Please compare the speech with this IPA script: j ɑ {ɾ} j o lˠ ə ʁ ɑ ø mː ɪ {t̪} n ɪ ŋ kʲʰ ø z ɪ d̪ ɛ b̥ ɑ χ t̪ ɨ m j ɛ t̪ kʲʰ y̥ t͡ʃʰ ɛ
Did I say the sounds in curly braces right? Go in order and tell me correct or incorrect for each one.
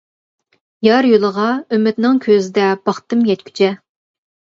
correct, correct

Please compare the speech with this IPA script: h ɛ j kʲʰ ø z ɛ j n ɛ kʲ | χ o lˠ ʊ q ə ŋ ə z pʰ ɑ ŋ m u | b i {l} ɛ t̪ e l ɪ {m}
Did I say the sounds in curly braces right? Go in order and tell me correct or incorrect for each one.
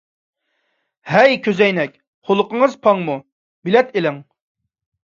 correct, incorrect

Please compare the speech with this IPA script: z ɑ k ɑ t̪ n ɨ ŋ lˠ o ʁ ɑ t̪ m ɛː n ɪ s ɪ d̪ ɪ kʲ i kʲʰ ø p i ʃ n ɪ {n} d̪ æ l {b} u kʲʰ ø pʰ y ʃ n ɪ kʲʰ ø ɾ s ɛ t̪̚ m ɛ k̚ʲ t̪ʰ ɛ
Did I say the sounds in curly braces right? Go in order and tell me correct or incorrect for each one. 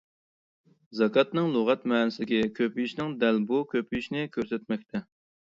incorrect, correct

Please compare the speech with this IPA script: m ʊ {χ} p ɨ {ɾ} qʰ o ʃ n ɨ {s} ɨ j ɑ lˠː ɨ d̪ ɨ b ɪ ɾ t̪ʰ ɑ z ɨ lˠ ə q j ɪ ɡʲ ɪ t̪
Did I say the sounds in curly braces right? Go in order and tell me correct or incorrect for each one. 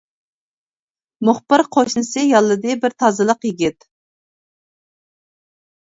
correct, correct, correct

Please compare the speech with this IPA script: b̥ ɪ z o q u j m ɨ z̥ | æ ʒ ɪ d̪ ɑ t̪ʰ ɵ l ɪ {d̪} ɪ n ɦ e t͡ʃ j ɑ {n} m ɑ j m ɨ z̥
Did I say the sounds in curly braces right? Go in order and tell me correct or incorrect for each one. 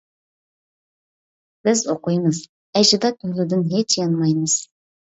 correct, correct

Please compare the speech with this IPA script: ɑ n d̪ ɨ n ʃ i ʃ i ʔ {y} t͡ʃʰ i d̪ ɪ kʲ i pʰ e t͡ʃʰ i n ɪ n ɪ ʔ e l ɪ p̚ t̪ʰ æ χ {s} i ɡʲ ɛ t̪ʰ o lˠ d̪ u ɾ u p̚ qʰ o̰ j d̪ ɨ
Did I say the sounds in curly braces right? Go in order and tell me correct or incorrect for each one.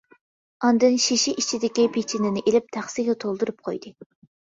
incorrect, correct

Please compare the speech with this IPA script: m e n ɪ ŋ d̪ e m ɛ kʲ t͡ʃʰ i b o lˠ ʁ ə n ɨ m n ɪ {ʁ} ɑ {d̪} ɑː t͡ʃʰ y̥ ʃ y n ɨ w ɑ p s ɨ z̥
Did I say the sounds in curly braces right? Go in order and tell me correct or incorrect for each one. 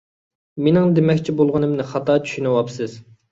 incorrect, incorrect

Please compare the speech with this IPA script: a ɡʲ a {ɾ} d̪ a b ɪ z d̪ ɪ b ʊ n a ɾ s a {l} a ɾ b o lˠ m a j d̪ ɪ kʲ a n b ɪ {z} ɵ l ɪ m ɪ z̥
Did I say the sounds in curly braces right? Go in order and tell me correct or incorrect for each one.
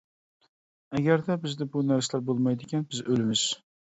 correct, correct, correct

